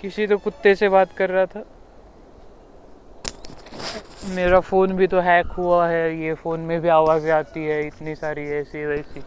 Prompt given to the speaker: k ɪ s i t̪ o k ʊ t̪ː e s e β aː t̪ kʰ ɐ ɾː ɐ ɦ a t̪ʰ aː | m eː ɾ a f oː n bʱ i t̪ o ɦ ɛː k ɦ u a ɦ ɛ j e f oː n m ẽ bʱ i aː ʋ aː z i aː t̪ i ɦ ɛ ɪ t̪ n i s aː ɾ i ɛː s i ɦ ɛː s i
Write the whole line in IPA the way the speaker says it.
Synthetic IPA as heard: k ɪ s i t̪ o k ʊ t̪ː e s e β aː t̪ k ɐ ɾː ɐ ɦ a t̪ʰ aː | m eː ɾ a f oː n bʱ i t̪ o ɦ ɛː k ɦ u a ɦ ɛ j e f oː n m ẽ bʱ i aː ʋ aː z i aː t̪ i ɦ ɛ ɪ t̪ n i s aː ɾ i ɛː s i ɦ ɛː s i